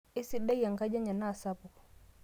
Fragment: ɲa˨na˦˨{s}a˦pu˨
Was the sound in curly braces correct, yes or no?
yes